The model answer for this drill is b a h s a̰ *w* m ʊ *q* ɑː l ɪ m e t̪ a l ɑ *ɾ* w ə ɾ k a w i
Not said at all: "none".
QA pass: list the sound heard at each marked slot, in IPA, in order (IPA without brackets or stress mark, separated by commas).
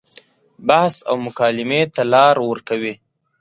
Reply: w, k, ɾ